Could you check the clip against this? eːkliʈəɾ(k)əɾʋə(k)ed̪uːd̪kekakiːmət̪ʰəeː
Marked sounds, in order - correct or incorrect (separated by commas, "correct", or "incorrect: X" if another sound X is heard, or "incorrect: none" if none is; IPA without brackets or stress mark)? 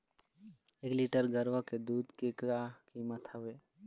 incorrect: ɡ, correct